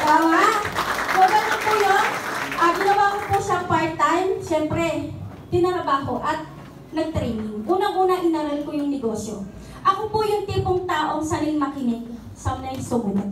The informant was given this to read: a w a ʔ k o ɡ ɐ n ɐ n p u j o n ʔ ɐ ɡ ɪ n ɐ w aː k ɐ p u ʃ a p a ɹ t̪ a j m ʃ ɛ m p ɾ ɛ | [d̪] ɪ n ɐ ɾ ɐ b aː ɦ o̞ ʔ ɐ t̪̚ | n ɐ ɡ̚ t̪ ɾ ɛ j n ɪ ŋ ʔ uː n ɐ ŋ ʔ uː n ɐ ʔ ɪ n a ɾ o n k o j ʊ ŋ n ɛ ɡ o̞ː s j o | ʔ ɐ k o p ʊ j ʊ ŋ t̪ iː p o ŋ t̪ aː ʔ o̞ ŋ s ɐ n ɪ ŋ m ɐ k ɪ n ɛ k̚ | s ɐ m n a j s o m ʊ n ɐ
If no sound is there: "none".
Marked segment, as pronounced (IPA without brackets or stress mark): t̪